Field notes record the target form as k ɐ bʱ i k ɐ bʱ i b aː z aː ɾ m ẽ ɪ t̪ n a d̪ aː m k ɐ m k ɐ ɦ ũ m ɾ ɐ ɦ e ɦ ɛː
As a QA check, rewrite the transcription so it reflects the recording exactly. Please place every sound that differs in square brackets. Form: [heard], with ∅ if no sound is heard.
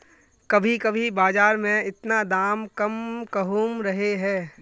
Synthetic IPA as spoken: k ɐ bʱ i k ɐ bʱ i b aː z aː ɾ m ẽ ɪ t̪ n a d̪ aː m k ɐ m k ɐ ɦ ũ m ɾ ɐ ɦ e ɦ ɛː